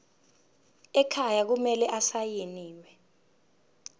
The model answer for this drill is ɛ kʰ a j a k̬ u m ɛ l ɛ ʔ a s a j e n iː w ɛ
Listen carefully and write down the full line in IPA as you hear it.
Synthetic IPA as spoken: ɛ kʰ a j a k̬ u m ɛ l ɛ ʔ a s a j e n iː w ɛ